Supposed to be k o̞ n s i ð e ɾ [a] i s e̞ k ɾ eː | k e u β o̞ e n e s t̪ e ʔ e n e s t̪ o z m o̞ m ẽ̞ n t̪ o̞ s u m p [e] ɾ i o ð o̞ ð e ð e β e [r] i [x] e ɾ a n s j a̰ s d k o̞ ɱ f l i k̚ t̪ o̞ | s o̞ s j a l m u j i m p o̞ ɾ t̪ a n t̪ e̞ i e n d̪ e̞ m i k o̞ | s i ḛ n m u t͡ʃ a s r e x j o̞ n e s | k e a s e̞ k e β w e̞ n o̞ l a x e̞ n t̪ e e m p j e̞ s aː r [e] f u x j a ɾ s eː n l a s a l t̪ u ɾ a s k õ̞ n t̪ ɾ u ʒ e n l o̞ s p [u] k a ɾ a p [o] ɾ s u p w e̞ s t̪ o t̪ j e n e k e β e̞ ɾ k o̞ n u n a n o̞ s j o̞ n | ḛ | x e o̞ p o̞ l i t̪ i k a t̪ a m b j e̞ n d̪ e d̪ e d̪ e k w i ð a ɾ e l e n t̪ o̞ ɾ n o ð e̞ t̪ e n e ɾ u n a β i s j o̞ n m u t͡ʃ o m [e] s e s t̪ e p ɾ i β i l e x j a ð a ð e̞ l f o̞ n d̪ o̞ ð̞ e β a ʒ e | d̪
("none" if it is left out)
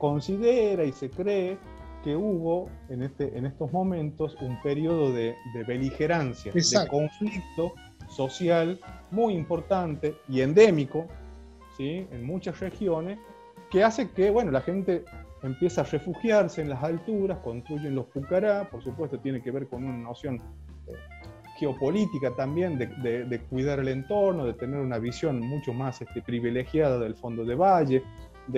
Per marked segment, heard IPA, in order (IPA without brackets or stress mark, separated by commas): a, e, l, x, e, u, o, a